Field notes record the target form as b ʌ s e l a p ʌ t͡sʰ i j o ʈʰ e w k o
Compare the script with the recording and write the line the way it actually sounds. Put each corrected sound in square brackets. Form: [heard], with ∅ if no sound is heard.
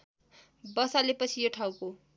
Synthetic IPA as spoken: b ʌ s [a] l [e] p ʌ t͡sʰ i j o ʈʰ [a] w k o

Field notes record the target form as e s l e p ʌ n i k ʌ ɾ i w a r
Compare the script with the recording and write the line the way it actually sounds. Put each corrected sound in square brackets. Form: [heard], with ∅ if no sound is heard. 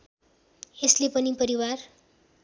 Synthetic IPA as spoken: e s l e p ʌ n i [p] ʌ ɾ i w a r

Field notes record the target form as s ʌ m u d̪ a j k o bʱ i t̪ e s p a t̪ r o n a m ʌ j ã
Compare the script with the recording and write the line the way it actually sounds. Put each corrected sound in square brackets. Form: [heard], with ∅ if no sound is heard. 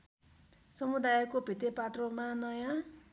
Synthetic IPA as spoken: s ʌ m u d̪ a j k o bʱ i t̪ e [∅] p a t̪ r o [m] a [n] ʌ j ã

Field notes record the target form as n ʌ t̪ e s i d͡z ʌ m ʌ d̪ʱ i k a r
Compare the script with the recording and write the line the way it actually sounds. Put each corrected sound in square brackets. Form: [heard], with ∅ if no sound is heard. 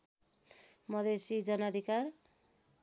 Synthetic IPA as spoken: [m] ʌ [d̪] e s i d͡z ʌ [n] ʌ d̪ʱ i k a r

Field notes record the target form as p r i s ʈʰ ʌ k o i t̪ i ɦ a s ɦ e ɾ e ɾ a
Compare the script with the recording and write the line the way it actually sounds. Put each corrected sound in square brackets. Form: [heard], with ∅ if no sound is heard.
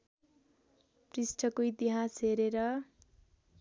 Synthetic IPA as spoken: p r i s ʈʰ ʌ k o i t̪ i ɦ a s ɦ e ɾ e ɾ [ʌ]

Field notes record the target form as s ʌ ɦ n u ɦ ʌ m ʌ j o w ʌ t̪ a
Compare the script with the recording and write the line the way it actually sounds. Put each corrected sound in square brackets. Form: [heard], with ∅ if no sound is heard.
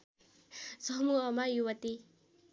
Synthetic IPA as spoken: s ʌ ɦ [m] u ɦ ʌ m [a] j [u] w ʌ t̪ [i]

